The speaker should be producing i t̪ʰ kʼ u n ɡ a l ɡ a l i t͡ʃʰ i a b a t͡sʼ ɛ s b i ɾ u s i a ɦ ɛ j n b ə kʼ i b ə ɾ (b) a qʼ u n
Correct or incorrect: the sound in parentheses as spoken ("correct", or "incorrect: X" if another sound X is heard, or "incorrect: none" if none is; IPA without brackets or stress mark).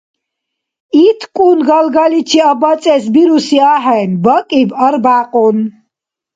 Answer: correct